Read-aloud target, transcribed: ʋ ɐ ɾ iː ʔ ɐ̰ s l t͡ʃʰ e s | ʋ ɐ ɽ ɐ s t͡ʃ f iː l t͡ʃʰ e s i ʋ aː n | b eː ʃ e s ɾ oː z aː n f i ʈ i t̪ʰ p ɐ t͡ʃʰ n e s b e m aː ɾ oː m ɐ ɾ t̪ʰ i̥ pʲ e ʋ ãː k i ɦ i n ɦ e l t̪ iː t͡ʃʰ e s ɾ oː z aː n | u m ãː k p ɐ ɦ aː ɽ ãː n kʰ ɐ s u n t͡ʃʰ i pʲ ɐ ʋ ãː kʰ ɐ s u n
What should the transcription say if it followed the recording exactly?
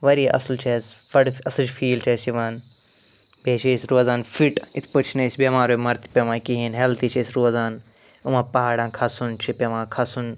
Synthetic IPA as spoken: ʋ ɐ ɾ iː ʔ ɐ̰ s l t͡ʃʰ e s | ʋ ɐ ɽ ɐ s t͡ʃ f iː l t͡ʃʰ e s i ʋ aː n | b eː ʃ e s ɾ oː z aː n f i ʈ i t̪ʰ p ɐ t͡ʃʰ n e s b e m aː ɾ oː m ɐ ɾ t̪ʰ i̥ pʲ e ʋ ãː k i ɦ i n ɦ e l t̪ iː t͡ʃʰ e s ɾ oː z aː n | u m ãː p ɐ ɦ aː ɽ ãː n kʰ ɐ s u n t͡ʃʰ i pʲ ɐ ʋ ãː kʰ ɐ s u n